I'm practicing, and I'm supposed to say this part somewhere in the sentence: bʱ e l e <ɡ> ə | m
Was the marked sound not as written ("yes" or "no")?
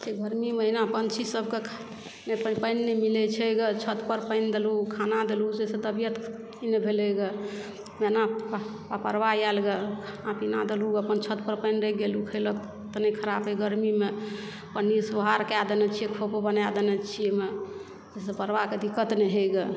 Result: no